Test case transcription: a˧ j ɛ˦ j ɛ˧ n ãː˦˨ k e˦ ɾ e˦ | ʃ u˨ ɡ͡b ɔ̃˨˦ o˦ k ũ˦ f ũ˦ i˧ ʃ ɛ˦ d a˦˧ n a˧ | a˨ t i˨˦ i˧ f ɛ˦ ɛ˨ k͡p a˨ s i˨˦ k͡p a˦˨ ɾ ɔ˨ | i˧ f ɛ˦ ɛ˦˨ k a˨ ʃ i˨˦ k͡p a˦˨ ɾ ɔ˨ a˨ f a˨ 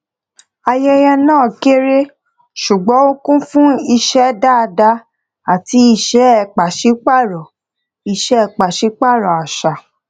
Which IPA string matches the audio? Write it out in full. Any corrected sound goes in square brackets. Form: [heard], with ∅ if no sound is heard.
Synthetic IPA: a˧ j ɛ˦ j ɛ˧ n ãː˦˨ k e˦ ɾ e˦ | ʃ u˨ ɡ͡b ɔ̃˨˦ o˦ k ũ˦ f ũ˦ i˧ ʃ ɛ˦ d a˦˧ [d] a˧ | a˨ t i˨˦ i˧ [ʃ] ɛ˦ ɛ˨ k͡p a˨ [ʃ] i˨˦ k͡p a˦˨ ɾ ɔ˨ | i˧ [ʃ] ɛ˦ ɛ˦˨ [k͡p] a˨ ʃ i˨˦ k͡p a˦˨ ɾ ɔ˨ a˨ [ʃ] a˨